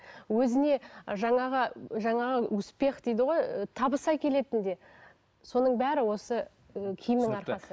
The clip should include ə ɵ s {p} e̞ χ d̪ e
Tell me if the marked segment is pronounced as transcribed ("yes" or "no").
yes